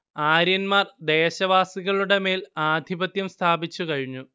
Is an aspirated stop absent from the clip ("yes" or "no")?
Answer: no